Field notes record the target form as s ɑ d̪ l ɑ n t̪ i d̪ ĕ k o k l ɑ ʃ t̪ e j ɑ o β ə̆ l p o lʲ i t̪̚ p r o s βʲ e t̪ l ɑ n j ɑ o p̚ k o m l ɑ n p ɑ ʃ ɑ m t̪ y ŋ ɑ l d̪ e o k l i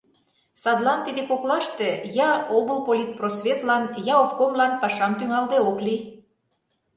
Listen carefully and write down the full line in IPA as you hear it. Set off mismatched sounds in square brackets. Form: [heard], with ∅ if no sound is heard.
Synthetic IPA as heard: s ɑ d̪ l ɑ n t̪ i d̪ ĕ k o k l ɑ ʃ t̪ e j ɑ o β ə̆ l p o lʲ i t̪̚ p r o s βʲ e t̪ l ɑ n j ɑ o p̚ k o m l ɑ n p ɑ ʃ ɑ m t̪ y ŋ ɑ l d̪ e o k l i

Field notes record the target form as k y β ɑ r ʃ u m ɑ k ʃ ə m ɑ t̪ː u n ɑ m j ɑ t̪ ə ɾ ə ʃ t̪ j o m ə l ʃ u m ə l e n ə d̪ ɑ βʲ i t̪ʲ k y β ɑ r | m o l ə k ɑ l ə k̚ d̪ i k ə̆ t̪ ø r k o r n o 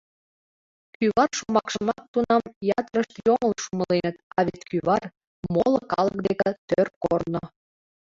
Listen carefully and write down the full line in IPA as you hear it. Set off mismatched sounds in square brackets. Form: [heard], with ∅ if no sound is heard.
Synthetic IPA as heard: k y β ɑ r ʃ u m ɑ k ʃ ə m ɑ t̪ː u n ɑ m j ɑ t̪ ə ɾ ə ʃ t̪ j o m ə l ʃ u m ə l e n ə [t̪] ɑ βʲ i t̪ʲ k y β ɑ r | m o l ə k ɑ l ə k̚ d̪ [e] k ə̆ t̪ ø r k o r n o

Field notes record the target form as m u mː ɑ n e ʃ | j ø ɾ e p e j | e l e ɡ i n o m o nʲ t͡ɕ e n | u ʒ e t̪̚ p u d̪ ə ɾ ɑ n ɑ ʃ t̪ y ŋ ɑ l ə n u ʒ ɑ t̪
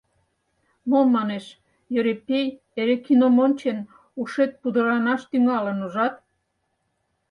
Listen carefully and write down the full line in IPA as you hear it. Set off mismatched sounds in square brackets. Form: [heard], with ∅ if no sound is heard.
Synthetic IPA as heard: m [o] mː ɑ n e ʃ | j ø ɾ e p e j | e [ɾ] e [k] i n o m o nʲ t͡ɕ e n | u [ʃ] e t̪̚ p u d̪ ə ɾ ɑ n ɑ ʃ t̪ y ŋ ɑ l ə n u ʒ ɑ t̪

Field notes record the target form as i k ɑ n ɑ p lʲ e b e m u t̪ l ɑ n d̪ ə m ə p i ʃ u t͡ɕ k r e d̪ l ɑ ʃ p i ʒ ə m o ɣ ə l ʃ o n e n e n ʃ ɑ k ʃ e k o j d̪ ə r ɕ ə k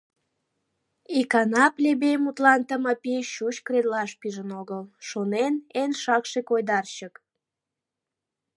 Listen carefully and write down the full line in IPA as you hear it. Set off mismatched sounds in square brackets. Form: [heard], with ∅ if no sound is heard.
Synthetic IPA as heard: i k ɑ n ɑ p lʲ e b e m u t̪ l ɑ n [t̪] ə m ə p i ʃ u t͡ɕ k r e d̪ l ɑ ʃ p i ʒ ə [n] o ɣ ə l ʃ o n e n e n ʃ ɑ k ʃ e k o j d̪ [ɑ] r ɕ ə k

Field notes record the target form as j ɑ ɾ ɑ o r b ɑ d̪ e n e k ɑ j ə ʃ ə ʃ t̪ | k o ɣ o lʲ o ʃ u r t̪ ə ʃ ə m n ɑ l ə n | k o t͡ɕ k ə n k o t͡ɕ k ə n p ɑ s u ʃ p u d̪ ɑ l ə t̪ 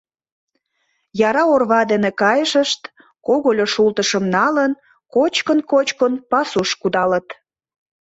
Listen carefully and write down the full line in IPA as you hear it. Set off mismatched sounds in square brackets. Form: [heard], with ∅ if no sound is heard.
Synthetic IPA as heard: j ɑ ɾ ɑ o r [β] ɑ d̪ e n e k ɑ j ə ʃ ə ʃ t̪ | k o ɣ o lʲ o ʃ u [l] t̪ ə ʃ ə m n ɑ l ə n | k o t͡ɕ k ə n k o t͡ɕ k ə n p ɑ s u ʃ [k] u d̪ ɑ l ə t̪

